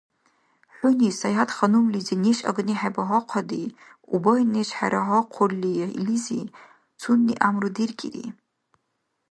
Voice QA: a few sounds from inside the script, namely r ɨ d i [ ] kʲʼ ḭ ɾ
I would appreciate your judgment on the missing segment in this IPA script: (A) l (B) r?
B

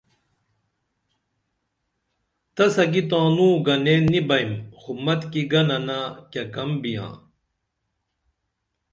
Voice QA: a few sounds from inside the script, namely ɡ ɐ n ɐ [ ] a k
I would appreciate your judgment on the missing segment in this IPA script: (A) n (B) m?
A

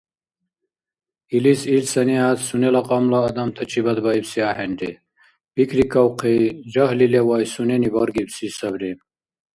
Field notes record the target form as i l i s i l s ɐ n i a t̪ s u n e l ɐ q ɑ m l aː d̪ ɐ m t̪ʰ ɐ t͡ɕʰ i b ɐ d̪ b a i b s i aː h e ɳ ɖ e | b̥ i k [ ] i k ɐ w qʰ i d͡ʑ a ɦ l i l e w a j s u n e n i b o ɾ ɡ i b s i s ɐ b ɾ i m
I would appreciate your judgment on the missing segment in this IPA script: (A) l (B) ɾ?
B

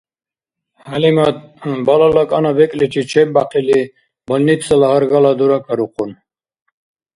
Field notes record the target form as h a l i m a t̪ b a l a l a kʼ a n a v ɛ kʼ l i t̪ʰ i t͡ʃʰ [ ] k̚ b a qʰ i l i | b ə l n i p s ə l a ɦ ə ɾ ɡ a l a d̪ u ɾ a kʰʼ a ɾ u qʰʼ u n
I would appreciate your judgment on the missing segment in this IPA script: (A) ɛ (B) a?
A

